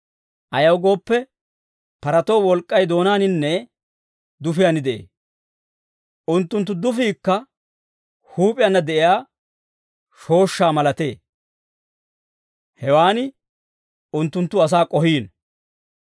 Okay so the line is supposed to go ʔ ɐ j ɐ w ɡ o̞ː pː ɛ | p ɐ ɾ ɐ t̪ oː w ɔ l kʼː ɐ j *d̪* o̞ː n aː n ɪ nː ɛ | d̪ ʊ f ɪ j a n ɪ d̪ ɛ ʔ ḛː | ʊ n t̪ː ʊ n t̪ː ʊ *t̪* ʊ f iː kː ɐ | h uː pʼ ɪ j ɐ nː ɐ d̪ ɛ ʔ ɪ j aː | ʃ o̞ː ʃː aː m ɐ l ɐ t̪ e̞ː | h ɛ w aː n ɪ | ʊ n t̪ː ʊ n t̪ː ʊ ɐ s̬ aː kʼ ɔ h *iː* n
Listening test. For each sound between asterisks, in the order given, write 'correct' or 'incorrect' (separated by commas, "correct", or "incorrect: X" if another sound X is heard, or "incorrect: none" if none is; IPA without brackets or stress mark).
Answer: correct, incorrect: d̪, correct